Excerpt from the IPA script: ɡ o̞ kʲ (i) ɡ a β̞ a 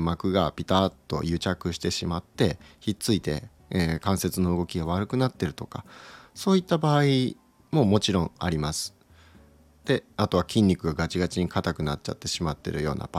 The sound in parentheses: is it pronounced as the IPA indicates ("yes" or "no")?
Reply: yes